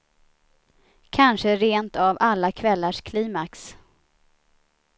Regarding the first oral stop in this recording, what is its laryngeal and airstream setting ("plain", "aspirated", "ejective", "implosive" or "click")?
aspirated